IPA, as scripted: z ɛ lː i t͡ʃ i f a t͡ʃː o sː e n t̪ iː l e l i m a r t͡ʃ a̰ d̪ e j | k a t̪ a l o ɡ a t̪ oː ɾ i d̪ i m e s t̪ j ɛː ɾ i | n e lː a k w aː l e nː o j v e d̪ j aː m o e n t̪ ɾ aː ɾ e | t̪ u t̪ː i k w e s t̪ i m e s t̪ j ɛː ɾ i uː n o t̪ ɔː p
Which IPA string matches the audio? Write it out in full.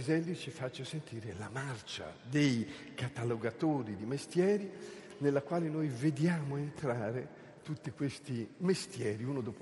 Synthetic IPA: z ɛ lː i t͡ʃ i f a t͡ʃː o s e n t̪ iː ɾ e l a m a r t͡ʃ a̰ d̪ e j | k a t̪ a l o ɡ a t̪ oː ɾ i d̪ i m e s t̪ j ɛː ɾ i | n e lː a k w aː l e n o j v e d̪ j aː m o e n t̪ ɾ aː ɾ e | t̪ u t̪ː i k w e s t̪ i m e s t̪ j ɛː ɾ i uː n o d̪ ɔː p